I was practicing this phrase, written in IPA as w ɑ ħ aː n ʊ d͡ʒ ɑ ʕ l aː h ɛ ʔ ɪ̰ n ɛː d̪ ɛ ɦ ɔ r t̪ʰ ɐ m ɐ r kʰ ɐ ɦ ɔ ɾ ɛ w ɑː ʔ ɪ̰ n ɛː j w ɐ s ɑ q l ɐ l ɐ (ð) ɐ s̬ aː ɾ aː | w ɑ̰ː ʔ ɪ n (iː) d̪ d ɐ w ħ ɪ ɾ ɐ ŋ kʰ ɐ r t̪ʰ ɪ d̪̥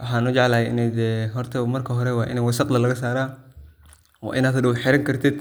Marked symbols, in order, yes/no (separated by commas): no, no